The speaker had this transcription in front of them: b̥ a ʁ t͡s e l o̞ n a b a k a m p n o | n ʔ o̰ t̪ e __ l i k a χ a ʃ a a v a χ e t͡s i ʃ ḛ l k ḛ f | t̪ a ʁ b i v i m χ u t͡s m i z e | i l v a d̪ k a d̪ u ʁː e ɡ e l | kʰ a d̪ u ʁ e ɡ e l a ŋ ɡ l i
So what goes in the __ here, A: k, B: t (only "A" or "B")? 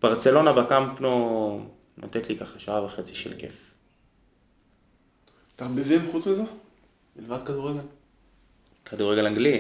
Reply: B